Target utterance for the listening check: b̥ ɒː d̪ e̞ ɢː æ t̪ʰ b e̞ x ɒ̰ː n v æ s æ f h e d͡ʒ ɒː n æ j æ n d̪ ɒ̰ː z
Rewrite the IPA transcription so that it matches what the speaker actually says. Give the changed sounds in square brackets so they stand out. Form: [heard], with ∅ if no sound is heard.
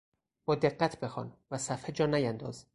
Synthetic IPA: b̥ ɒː d̪ e̞ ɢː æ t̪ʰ b e̞ x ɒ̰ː n v æ s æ f h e d͡ʒ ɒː n æ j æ n d̪ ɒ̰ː z